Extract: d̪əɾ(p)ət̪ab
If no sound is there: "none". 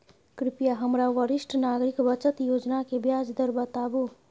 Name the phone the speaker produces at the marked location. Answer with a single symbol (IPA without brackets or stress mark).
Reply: b